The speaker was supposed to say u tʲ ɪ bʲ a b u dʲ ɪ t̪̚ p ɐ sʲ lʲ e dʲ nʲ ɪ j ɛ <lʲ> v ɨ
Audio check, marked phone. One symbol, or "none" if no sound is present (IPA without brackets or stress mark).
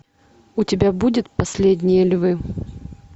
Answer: lʲ